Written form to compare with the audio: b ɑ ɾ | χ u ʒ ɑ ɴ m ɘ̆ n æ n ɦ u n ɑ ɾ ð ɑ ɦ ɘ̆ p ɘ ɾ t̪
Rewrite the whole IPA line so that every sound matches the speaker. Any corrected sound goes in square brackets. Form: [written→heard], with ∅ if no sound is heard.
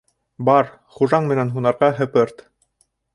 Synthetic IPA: b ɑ ɾ | χ u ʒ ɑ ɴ m ɘ̆ n æ n ɦ u n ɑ ɾ [ð→ʁ] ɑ ɦ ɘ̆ p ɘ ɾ t̪

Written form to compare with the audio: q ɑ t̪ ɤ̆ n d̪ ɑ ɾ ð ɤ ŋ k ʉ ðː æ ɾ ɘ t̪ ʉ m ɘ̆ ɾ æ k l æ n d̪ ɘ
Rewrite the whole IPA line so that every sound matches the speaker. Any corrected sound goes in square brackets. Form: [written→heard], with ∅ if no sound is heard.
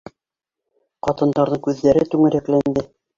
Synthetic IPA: q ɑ t̪ ɤ̆ n d̪ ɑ ɾ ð ɤ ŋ k ʉ ðː æ ɾ ɘ t̪ ʉ [m→ŋ] ɘ̆ ɾ æ k l æ n d̪ ɘ

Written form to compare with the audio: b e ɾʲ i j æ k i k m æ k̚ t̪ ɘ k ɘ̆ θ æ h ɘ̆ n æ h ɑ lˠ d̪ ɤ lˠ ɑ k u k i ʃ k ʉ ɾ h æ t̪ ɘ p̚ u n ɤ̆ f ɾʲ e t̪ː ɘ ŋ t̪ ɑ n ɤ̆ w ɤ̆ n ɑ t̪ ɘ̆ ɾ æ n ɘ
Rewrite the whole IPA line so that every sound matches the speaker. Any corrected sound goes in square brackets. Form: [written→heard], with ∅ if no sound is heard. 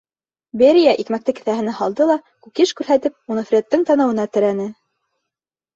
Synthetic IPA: b e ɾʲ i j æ [k→ʔ] i k m æ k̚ t̪ ɘ k ɘ̆ θ æ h ɘ̆ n æ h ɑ lˠ d̪ ɤ lˠ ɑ k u k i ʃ k ʉ ɾ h æ t̪ ɘ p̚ u n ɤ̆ f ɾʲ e t̪ː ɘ ŋ t̪ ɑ n ɤ̆ w ɤ̆ n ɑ t̪ ɘ̆ ɾ æ n ɘ

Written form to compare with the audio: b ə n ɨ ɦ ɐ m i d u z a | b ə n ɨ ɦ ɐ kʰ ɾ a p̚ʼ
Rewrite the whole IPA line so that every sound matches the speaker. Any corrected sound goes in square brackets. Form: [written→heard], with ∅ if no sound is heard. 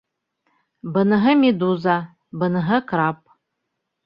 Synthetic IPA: b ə n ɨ ɦ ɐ m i d u z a | b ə n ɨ ɦ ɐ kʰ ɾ a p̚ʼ

